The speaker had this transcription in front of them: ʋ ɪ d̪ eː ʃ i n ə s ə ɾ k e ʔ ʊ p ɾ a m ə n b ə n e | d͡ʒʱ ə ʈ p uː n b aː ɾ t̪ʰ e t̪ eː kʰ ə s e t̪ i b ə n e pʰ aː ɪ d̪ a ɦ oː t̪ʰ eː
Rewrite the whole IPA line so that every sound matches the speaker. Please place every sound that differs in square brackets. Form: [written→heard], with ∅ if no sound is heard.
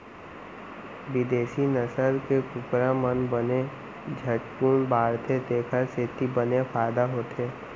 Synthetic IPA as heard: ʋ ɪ d̪ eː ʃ i n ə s ə ɾ k e [ʔ→k] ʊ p ɾ a m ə n b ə n e | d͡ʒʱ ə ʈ p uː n b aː ɾ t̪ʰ e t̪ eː kʰ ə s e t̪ i b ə n e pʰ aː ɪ d̪ a ɦ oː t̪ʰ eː

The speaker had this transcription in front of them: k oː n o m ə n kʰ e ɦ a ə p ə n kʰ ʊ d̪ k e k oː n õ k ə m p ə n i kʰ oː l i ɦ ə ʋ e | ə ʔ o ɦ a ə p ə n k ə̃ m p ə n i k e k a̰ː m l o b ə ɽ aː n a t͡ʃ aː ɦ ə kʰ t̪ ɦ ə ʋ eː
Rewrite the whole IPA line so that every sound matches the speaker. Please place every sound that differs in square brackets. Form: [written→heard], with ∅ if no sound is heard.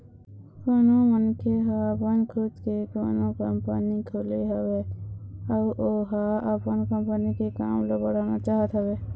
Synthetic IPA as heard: k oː n o m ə n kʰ e ɦ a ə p ə n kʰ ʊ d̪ k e k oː n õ k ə m p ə n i kʰ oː l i ɦ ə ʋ e | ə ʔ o ɦ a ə p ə n k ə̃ m p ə n i k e k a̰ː m l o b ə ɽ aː n a t͡ʃ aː ɦ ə [kʰ→∅] t̪ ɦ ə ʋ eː

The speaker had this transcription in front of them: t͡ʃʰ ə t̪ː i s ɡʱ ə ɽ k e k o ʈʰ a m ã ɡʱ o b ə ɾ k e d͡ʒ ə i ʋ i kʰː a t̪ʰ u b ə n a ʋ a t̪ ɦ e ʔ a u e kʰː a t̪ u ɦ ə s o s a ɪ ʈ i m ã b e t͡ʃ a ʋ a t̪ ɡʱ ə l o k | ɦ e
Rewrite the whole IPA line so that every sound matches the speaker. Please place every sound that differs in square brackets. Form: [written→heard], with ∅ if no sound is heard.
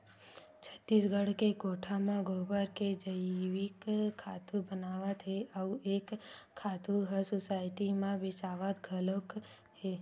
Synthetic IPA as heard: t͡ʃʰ ə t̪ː i s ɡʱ ə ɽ k e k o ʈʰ a m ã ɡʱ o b ə ɾ k e d͡ʒ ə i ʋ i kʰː a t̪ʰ u b ə n a ʋ a t̪ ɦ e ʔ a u e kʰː a t̪ u ɦ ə s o s a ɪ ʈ i m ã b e t͡ʃ a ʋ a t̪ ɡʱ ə l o k | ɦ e

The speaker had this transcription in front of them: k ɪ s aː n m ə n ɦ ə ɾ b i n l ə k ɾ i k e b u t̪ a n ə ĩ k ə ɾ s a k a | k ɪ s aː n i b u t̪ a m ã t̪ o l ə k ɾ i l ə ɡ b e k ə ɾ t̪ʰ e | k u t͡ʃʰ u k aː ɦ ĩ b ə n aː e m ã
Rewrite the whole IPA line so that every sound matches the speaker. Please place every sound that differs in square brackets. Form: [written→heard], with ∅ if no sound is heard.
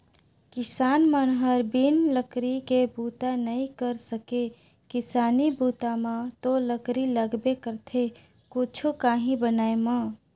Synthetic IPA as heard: k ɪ s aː n m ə n ɦ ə ɾ b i n l ə k ɾ i k e b u t̪ a n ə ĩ k ə ɾ s [a→ə] k [a→e] | k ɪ s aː n i b u t̪ a m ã t̪ o l ə k ɾ i l ə ɡ b e k ə ɾ t̪ʰ e | k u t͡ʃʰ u k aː ɦ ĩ b ə n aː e m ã

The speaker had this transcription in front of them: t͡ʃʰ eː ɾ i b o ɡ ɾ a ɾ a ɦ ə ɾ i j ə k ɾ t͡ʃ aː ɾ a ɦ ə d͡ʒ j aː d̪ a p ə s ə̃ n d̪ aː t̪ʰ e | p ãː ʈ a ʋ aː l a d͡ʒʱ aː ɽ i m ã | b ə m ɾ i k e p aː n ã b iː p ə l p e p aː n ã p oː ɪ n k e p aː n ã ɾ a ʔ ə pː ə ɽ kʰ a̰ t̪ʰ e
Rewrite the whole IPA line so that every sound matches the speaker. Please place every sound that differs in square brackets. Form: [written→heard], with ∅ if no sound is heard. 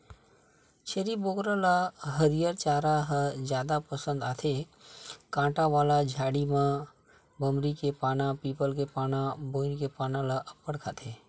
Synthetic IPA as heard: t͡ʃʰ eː ɾ i b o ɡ ɾ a [ɾ→l] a ɦ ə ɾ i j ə [k→∅] ɾ t͡ʃ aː ɾ a ɦ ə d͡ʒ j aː d̪ a p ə s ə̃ n d̪ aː t̪ʰ e | [p→k] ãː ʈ a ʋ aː l a d͡ʒʱ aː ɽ i m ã | b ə m ɾ i k e p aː n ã [b→p] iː p ə l [p→k] e p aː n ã [p→b] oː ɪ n k e p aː n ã [ɾ→l] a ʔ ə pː ə ɽ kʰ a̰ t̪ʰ e

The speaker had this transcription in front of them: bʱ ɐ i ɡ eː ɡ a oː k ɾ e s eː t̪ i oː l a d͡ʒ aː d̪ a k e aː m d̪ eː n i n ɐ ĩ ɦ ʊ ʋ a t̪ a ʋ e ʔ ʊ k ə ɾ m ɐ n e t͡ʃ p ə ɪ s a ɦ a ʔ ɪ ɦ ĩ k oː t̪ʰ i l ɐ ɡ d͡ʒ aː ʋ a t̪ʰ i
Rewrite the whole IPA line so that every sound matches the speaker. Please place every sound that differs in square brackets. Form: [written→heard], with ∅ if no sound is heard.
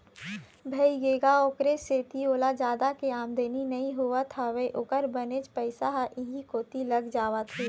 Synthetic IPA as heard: bʱ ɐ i ɡ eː ɡ a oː k ɾ e s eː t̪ i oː l a d͡ʒ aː d̪ a k e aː m d̪ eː n i n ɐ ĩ ɦ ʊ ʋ a [t̪→t̪ʰ] a ʋ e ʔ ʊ k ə ɾ [m→b] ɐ n e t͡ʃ p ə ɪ s a ɦ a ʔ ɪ ɦ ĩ k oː [t̪ʰ→t̪] i l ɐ ɡ d͡ʒ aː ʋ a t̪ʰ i

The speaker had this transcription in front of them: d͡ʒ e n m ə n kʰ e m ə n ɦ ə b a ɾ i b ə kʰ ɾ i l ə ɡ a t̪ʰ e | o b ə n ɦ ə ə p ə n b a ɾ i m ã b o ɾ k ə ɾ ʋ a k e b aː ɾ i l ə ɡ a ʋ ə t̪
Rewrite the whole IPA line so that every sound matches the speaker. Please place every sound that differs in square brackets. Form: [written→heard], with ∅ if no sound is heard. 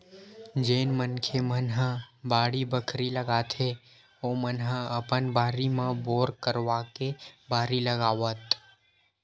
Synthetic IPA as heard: d͡ʒ e n m ə n kʰ e m ə n ɦ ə b a [ɾ→ɽ] i b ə kʰ ɾ i l ə ɡ a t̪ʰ e | o [b→m] ə n ɦ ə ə p ə n b a ɾ i m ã b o ɾ k ə ɾ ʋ a k e b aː ɾ i l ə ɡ a ʋ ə t̪

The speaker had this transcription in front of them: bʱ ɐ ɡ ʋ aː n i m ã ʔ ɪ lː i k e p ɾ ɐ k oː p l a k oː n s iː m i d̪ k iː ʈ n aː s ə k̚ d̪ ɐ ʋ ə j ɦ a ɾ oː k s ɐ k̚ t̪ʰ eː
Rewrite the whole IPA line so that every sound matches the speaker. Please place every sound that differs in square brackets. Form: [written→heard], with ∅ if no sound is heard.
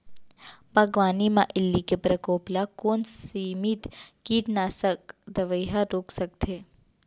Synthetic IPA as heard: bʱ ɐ ɡ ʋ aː n i m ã ʔ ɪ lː i k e p ɾ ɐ k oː p l a k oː n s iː m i [d̪→t̪] k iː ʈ n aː s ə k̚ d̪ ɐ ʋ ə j ɦ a ɾ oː k s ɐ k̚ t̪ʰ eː

